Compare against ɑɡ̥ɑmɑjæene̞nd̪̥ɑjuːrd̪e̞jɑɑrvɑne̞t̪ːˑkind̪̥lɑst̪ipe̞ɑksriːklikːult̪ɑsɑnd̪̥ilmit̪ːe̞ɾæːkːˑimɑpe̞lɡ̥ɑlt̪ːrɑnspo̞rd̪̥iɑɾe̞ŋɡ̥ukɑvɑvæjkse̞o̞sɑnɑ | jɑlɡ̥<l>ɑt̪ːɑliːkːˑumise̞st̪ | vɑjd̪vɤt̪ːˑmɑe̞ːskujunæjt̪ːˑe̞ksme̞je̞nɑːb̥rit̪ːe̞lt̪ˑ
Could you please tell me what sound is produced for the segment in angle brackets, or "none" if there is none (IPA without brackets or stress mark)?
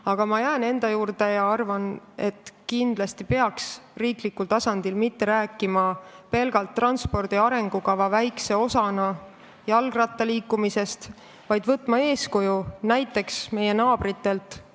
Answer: r